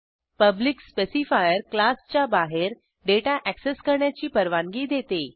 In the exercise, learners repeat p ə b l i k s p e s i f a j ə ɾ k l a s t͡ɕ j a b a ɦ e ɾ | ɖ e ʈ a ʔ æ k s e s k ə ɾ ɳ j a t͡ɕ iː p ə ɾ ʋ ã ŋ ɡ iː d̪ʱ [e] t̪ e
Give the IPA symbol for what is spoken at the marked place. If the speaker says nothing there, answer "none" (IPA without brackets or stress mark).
e